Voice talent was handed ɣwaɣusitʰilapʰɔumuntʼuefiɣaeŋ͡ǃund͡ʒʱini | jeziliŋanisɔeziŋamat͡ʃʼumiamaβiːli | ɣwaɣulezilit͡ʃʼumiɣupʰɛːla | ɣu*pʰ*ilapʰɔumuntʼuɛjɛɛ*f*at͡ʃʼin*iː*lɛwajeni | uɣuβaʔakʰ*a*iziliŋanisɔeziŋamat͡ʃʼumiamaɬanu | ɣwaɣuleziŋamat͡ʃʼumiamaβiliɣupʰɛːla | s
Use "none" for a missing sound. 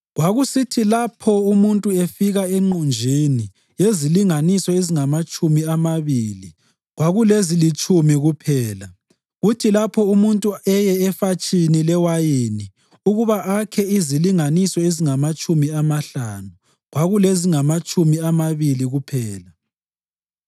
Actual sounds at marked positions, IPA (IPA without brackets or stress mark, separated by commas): tʰ, f, i, ɛ